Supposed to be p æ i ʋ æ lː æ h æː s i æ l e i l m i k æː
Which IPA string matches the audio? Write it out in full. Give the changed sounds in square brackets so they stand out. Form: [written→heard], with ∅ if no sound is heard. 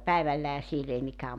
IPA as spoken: p æ i ʋ æ lː æ h [æː→æ] s i [æ→e] l e i [l→∅] m i k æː